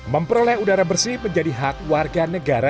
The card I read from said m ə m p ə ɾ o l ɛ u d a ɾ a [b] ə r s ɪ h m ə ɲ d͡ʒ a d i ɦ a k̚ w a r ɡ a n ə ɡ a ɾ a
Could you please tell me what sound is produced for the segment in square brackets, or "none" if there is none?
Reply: b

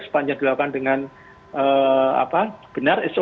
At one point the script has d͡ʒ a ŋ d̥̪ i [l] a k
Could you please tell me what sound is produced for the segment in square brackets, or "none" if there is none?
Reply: l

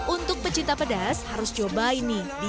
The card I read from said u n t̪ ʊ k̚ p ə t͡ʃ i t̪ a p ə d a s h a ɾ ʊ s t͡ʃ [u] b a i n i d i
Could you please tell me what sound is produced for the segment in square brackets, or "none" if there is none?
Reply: o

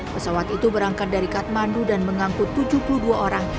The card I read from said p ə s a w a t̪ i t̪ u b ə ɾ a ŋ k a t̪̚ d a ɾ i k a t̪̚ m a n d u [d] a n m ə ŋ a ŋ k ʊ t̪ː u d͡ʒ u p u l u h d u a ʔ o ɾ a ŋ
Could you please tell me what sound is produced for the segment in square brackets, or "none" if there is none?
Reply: d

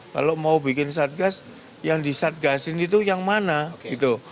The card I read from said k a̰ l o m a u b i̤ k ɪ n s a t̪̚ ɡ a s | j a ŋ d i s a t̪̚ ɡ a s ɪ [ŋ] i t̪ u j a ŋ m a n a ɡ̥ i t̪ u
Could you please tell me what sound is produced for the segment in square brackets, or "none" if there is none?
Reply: n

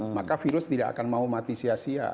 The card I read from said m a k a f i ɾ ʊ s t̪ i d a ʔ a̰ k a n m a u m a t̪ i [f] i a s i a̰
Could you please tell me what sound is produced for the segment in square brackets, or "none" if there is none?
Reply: s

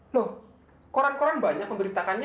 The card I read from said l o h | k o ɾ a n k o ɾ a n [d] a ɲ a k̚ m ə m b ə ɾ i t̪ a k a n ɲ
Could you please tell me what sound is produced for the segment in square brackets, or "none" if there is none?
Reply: b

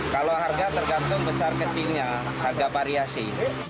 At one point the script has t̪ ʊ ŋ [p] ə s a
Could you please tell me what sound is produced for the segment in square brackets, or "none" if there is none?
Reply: b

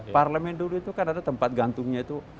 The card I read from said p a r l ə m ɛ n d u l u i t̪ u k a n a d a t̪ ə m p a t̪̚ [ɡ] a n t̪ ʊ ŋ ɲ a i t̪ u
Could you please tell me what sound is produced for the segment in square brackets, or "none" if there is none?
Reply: ɡ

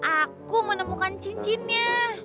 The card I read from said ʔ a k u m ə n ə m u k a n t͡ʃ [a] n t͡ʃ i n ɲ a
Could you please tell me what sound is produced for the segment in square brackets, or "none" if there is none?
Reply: i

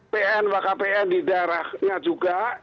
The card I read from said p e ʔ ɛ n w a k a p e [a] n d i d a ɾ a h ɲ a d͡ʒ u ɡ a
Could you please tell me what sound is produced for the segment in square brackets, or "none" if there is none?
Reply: ɛ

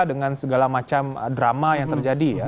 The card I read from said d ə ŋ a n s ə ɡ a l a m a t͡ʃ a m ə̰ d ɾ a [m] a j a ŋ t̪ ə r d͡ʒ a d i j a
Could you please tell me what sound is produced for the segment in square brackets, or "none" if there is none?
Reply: m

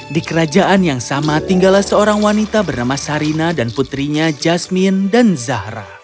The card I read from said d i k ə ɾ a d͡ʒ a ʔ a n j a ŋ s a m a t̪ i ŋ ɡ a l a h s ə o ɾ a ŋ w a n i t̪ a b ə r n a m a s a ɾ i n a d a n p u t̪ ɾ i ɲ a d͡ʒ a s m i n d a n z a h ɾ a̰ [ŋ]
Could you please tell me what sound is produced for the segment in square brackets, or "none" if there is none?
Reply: none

